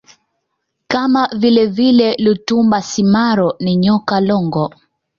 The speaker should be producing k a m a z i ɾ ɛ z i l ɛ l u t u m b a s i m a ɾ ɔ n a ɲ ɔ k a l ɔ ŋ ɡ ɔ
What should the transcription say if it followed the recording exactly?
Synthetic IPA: k a m a v i l ɛ v i l ɛ l u t u m b a s i m a ɾ ɔ n i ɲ ɔ k a l ɔ ŋ ɡ ɔ

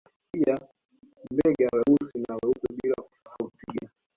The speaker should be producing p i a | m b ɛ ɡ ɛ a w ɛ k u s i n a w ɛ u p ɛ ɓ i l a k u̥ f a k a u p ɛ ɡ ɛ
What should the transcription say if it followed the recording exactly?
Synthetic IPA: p i a | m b ɛ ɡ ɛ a w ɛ u s i n a w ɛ u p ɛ ɓ i l a k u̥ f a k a u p i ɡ a

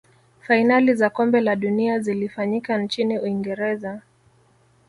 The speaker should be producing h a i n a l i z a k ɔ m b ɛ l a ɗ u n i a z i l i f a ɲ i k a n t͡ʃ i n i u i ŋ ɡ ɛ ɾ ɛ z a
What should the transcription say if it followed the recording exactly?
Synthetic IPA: f a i n a l i z a k ɔ m b ɛ l a ɗ u n i a z i l i f a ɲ i k a n t͡ʃ i n i u i ŋ ɡ ɛ ɾ ɛ z a

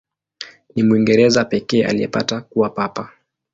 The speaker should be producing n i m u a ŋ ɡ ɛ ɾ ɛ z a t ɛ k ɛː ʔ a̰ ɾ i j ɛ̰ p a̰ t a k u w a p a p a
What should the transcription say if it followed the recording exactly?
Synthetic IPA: n i m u i ŋ ɡ ɛ ɾ ɛ z a p ɛ k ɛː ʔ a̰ l i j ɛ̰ p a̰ t a k u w a p a p a

